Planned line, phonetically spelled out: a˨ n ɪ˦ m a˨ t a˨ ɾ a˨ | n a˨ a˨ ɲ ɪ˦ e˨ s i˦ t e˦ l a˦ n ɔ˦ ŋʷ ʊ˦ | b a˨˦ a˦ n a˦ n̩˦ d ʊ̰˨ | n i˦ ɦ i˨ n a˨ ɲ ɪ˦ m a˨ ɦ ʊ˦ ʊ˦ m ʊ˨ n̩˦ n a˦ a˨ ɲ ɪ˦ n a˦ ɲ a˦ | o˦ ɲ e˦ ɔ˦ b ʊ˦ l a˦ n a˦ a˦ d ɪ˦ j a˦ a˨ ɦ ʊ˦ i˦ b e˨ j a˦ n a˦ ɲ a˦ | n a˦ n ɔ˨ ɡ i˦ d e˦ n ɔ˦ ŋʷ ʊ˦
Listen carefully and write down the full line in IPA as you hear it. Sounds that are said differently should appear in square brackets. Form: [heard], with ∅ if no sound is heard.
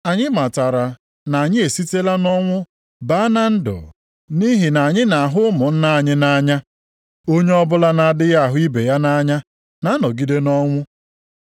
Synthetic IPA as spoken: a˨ [ɲ] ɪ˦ m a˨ t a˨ ɾ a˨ | n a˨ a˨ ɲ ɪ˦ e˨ s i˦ t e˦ l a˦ n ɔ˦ ŋʷ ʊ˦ | b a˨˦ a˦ n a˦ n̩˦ d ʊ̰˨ | n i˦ ɦ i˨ n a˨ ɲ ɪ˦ [n] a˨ ɦ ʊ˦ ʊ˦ m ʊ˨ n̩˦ n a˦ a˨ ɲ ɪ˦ n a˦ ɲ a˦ | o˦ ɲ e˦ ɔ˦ b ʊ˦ l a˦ n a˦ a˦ d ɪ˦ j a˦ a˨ ɦ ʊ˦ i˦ b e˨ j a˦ n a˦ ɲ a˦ | n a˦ n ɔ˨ ɡ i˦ d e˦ n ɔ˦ ŋʷ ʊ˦